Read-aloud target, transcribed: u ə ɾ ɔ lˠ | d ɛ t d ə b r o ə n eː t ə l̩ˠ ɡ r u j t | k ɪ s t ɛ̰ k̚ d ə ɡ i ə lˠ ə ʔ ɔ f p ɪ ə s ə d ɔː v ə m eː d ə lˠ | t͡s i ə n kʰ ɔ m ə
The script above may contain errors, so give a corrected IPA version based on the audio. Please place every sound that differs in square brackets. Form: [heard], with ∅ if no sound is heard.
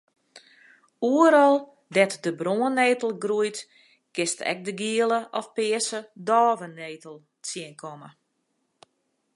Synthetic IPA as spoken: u ə ɾ ɔ lˠ | d ɛ t d ə b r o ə n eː t ə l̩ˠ ɡ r u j t | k ɪ s t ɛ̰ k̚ d ə ɡ i ə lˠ ə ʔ ɔ f p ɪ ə s ə d ɔː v ə [n] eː [t] ə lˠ | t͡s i ə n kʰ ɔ m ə